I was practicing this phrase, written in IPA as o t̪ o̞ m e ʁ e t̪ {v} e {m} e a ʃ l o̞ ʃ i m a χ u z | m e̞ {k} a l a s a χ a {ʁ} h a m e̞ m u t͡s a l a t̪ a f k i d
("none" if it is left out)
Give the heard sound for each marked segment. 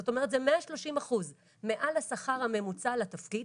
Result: z, m, ʔ, ʁ

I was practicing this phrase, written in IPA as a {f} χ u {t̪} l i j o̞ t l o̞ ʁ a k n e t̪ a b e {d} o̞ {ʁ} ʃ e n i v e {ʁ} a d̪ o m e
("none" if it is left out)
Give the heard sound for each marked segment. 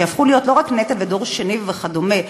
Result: f, none, d, ʁ, χ

